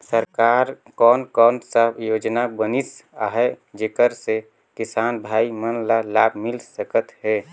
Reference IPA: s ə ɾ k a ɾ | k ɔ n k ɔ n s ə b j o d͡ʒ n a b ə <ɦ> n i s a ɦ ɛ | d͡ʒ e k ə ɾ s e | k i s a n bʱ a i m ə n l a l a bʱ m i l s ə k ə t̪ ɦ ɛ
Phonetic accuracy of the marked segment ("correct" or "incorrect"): incorrect